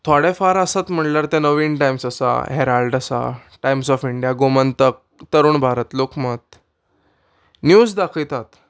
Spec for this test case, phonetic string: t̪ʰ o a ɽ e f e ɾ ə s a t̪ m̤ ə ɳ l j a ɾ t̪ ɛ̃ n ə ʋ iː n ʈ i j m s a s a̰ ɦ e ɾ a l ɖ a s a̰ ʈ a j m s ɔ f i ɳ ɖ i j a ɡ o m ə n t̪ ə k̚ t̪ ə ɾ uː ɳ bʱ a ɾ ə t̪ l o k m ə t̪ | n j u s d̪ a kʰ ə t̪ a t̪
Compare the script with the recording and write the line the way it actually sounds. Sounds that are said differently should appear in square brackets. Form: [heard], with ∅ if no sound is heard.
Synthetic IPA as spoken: t̪ʰ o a ɽ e f [a] ɾ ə s a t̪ m̤ ə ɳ l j a ɾ t̪ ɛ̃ n ə ʋ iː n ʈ [a] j m s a s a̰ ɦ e ɾ a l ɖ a s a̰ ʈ a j m s ɔ f i ɳ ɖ i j a ɡ o m ə n t̪ ə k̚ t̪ ə ɾ uː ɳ bʱ a ɾ ə t̪ l o k m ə t̪ | n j u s d̪ a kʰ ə t̪ a t̪